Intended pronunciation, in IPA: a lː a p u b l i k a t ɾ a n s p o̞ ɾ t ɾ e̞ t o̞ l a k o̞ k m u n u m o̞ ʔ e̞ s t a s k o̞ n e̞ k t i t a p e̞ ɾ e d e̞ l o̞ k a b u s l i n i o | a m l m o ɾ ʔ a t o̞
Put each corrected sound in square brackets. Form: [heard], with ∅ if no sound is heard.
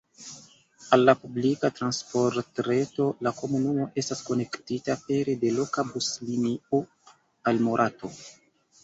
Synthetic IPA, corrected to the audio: a lː a p u b l i k a t ɾ a n s p o̞ ɾ t ɾ e̞ t o̞ l a k o̞ [∅] m u n u m o̞ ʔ e̞ s t a s k o̞ n e̞ k t i t a p e̞ ɾ e d e̞ l o̞ k a b u s l i n i o | a [∅] l m o ɾ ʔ a t o̞